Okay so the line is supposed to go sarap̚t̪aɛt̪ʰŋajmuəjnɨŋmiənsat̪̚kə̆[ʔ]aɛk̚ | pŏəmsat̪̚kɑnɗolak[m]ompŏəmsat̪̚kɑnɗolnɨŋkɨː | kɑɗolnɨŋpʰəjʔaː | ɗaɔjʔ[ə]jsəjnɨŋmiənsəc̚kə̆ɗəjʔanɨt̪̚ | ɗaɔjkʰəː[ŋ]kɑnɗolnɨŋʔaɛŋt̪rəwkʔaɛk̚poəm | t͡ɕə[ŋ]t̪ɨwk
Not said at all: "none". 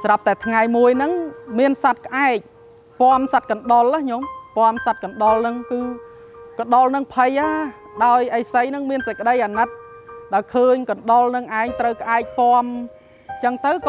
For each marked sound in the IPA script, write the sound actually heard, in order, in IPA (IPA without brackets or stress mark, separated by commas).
ʔ, ɲ, ə, ɲ, ŋ